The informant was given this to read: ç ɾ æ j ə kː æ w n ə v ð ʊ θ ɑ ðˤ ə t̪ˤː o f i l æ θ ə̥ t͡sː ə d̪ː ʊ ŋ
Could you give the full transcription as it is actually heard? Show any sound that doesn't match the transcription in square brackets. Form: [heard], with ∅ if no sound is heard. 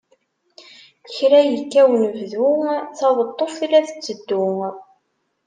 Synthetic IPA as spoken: ç ɾ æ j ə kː æ w n ə v ð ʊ θ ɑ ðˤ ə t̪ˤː o f i l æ θ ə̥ t͡sː ə d̪ː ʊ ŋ